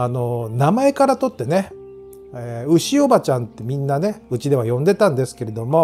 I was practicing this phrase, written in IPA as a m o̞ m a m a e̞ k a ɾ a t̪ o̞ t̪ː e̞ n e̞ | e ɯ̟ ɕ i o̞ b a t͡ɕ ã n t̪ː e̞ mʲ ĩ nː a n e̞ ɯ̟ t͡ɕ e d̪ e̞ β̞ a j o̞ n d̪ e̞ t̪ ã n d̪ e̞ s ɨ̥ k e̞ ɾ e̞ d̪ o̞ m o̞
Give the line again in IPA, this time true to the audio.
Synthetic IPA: a n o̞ n a m a e̞ k a ɾ a t̪ o̞ t̪ː e̞ n e̞ | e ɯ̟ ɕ i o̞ b a t͡ɕ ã n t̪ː e̞ mʲ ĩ nː a n e̞ ɯ̟ t͡ɕ i d̪ e̞ β̞ a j õ̞ n d̪ e̞ t̪ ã n d̪ e̞ s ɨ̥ k e̞ ɾ e̞ d̪ o̞ m o̞